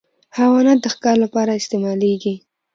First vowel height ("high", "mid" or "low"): low